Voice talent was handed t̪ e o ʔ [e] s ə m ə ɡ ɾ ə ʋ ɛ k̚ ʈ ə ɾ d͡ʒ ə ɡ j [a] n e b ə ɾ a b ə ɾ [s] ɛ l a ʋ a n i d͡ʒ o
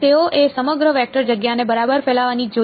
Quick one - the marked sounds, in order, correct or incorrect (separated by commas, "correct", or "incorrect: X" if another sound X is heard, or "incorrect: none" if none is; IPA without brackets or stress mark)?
correct, correct, incorrect: f